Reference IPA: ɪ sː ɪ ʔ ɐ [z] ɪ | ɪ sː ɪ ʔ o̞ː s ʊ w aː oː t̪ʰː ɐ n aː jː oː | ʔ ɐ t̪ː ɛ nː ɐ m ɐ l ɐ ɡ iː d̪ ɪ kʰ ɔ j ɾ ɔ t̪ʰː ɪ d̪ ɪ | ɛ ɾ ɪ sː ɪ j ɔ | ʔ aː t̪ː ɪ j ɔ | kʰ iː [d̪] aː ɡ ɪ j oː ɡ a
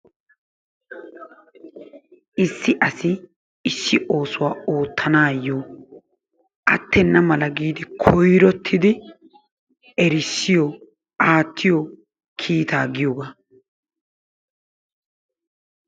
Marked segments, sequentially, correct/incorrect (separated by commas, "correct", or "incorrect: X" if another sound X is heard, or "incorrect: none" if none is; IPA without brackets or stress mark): incorrect: s, incorrect: t̪